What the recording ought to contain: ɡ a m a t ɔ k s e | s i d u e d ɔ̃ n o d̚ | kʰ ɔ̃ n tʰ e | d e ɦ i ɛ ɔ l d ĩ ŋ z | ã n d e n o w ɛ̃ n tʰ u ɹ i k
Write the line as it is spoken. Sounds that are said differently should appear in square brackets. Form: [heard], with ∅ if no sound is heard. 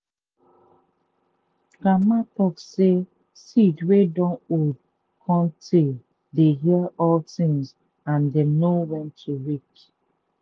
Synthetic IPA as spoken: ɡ a m a t ɔ k s e | s i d [w] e d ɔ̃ n o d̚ | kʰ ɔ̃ n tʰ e | d e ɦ i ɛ ɔ l [t] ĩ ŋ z | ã n d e n o w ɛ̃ n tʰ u ɹ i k

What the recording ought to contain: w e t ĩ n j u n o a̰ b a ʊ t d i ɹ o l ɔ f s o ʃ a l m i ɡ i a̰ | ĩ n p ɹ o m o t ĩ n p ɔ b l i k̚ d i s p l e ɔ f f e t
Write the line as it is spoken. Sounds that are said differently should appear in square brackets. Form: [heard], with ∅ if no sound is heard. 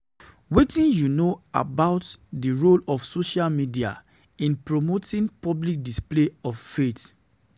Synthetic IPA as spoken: w e t ĩ n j u n o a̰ b a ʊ t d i ɹ o l ɔ f s o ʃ a l m i [d] i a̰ | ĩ n p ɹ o m o t ĩ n p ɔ b l i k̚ d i s p l e ɔ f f e t

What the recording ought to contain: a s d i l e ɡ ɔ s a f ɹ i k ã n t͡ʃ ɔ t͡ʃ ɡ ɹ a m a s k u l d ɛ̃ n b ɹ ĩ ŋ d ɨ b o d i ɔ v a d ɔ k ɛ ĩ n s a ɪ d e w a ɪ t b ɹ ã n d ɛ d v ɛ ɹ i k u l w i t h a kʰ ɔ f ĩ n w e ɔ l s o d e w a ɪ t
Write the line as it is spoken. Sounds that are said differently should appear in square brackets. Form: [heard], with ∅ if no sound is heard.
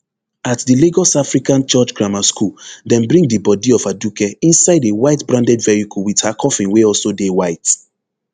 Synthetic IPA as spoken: a [t] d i l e ɡ ɔ s a f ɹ i k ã n t͡ʃ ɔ t͡ʃ ɡ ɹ a m a s k u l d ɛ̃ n b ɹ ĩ ŋ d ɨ b [ɔ] d i ɔ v a d [u] k ɛ ĩ n s a ɪ d e w a ɪ t b ɹ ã n d ɛ d v ɛ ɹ i k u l w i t h a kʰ ɔ f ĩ n w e ɔ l s o d e w a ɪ t

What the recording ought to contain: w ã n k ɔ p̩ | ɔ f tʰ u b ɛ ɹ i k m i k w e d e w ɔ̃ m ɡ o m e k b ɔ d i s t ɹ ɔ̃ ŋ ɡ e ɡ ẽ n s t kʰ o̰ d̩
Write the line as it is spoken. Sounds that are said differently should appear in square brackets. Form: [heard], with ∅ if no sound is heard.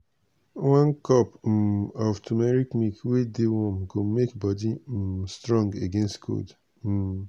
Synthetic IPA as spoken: w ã n k ɔ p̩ | ɔ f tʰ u [m] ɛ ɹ i k m i k w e d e w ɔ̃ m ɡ o m e k b ɔ d i s t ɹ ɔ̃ ŋ ɡ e ɡ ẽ n s t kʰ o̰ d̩

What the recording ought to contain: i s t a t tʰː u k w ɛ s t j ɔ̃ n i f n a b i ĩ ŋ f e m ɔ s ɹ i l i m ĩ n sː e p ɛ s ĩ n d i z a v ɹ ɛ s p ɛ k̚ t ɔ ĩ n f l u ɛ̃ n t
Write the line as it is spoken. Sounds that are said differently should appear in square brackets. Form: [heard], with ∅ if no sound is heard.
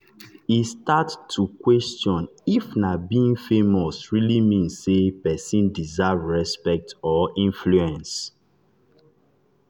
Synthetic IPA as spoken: i s t a t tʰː u k w ɛ s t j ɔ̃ n i f n a b i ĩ ŋ f e m ɔ s ɹ i l i m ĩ n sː e p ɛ s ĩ n d i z a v ɹ ɛ s p ɛ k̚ t ɔ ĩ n f l u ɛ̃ n [s]

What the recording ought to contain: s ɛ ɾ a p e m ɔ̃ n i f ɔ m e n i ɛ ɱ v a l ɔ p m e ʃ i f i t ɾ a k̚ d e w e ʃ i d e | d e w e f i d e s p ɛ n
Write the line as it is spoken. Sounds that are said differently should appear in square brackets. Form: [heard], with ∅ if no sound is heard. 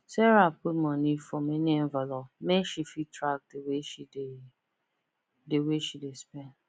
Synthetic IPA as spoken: s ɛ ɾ a p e m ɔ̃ n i f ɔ m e n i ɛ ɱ v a l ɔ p m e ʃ i f i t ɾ a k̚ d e w e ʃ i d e | d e w e [ʃ] i d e s p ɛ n

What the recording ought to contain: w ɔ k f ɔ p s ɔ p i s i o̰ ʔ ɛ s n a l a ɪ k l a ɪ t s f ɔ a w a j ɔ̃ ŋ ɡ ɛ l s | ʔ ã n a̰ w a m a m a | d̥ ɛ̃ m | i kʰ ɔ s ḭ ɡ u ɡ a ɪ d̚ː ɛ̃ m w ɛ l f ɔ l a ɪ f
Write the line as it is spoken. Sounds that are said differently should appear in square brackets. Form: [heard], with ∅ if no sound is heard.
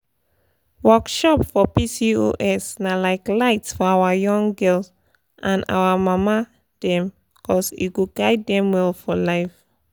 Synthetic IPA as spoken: w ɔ k [ʃ] ɔ p [f] ɔ p i s i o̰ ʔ ɛ s n a l a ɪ k l a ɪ t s f ɔ a w a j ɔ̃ ŋ ɡ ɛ l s | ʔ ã n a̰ w a m a m a | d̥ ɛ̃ m | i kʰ ɔ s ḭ ɡ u ɡ a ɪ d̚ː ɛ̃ m w ɛ l f ɔ l a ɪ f

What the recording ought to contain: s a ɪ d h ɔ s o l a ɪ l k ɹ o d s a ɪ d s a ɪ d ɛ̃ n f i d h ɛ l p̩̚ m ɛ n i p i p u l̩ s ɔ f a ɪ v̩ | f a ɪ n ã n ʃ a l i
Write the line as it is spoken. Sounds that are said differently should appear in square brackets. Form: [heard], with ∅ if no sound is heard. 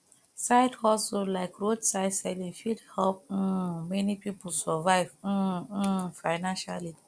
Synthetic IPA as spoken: s a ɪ d h ɔ s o l a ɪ [∅] k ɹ o d s a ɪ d s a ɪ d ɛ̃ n f i d h ɛ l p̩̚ m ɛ n i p i p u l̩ s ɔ [v] a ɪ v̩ | f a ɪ n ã n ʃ a l i

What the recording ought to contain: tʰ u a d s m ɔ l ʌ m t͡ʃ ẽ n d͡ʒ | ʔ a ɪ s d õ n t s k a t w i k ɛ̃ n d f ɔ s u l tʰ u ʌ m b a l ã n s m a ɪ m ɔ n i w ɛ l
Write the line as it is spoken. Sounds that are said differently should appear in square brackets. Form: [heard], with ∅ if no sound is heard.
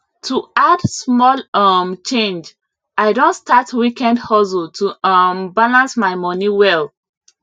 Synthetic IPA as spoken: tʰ u a d s m ɔ l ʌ m t͡ʃ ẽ n d͡ʒ | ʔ a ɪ [∅] d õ n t s [t] a t w i k ɛ̃ n d [h] ɔ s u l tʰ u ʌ m b a l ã n s m a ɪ m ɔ n i w ɛ l

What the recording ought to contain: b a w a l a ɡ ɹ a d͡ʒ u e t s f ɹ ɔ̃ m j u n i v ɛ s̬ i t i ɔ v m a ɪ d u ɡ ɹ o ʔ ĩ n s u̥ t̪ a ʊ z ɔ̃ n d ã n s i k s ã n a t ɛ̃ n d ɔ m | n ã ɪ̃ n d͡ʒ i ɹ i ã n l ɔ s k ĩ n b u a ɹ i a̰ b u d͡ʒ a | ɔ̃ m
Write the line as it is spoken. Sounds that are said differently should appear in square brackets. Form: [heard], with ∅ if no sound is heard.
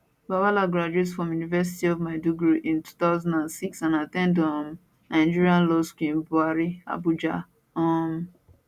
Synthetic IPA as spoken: b a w a l a ɡ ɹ a d͡ʒ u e t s f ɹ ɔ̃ m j u n i v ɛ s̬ i t i ɔ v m a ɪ d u ɡ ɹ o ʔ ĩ n [t] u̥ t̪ a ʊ z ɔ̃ n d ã n s i k s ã n a t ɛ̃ n d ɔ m | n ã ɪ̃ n d͡ʒ i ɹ i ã n l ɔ s k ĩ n b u a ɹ i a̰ b u d͡ʒ a | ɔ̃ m

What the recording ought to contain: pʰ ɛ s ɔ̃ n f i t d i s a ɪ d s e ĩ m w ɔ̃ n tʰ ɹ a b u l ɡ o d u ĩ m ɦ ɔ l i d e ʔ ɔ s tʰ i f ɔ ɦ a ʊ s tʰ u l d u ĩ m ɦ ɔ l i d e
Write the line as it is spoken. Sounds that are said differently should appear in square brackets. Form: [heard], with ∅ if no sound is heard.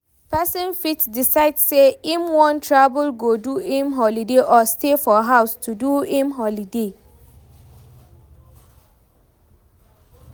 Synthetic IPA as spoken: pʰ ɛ s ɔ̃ n f i t d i s a ɪ d s e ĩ m w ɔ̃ n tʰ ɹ a b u l ɡ o d u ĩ m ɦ ɔ l i d e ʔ ɔ s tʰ [e] f ɔ ɦ a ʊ s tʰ u [∅] d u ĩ m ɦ ɔ l i d e

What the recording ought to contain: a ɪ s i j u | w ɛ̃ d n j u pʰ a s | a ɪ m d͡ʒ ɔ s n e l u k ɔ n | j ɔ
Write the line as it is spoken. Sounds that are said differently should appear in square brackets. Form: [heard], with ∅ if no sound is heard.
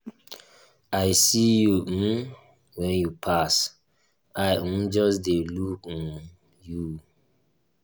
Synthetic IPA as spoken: a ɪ s i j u | w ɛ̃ [∅] n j u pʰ a s | a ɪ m d͡ʒ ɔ s [d] e l u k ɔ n | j [u]

